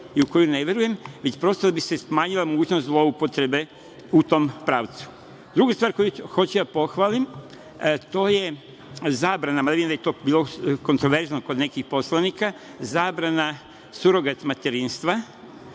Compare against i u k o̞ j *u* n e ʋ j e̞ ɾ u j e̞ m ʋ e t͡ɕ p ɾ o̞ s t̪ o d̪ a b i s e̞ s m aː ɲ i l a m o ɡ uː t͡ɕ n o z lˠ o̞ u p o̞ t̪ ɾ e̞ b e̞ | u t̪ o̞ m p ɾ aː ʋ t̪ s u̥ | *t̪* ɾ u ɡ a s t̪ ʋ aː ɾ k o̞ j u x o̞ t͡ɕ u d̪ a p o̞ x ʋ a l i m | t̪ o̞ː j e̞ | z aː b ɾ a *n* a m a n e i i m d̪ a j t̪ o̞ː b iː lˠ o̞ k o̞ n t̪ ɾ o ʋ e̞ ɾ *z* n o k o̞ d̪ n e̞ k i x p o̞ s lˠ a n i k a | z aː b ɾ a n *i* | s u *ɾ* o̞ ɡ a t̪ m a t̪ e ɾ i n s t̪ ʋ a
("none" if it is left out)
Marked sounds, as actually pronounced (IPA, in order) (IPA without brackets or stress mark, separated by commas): u, d̪, n, z, a, ɾ